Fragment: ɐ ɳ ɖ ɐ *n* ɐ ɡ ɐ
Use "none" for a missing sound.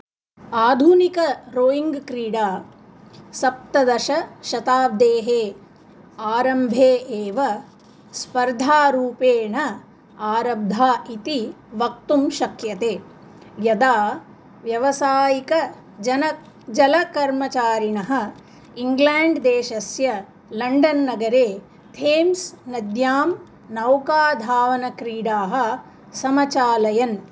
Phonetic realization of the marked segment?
nː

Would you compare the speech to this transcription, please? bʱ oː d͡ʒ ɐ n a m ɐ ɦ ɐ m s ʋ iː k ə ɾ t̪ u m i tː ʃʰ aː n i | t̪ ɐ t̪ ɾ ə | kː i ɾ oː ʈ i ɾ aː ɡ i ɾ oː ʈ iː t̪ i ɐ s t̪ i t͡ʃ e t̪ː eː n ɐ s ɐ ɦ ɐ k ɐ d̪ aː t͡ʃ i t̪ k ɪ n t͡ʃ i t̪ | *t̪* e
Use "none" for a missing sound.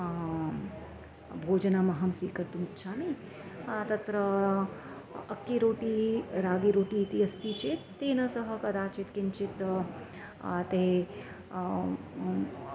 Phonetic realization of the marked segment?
t̪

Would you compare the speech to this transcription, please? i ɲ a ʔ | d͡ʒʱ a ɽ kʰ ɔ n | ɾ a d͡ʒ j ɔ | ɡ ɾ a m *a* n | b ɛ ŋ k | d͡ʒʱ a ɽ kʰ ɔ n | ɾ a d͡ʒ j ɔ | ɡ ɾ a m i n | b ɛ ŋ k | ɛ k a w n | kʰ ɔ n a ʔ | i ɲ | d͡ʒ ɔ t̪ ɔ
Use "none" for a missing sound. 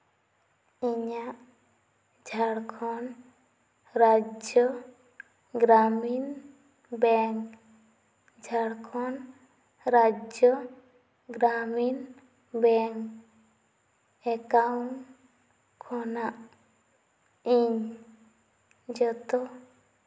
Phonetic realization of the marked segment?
i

